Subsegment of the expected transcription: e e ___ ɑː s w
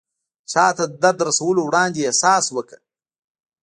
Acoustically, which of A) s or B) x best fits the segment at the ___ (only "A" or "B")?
A